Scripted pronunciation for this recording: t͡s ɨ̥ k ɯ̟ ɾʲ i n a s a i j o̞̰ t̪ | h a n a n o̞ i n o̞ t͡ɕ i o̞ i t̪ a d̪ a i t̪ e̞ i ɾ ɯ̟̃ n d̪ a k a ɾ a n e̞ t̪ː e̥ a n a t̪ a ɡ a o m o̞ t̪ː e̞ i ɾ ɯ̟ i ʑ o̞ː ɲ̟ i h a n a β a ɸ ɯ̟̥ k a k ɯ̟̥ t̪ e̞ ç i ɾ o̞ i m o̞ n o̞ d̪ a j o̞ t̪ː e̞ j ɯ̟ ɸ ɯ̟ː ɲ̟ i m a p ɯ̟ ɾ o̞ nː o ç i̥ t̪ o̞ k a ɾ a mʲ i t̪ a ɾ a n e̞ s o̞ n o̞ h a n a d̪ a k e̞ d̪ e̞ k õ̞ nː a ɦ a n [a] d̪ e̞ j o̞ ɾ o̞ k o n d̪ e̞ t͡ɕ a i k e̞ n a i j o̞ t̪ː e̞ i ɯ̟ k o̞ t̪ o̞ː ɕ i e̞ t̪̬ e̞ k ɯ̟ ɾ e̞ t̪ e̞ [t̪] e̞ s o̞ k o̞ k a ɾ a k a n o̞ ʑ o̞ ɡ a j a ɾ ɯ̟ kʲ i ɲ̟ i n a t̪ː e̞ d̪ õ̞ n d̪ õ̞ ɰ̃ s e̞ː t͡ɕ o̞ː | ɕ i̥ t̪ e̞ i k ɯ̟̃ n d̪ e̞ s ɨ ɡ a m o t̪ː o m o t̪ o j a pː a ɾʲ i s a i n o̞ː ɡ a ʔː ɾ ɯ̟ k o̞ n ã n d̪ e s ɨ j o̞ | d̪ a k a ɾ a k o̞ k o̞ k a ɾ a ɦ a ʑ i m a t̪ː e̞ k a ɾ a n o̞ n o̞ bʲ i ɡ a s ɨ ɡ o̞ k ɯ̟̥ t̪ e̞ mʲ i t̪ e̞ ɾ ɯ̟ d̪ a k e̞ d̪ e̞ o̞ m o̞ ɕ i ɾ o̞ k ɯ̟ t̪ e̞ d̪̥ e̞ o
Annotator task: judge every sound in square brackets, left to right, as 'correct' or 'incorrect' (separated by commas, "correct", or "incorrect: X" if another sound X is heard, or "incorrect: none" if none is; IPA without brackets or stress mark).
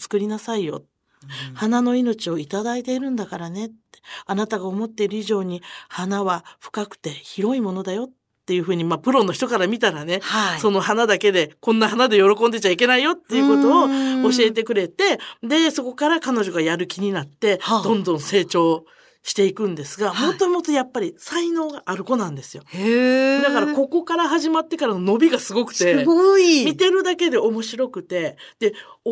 correct, incorrect: d̪